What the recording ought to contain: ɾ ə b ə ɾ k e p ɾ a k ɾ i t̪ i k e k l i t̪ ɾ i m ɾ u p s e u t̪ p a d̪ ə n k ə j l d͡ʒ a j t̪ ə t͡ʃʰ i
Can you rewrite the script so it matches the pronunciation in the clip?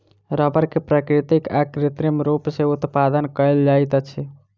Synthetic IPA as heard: ɾ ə b ə ɾ k e p ɾ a k ɾ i t̪ i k a k ɾ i t̪ ɾ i m ɾ u p s e u t̪ p a d̪ ə n k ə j l d͡ʒ a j t̪ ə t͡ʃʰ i